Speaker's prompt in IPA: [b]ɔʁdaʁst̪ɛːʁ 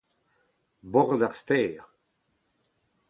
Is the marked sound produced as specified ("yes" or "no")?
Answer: yes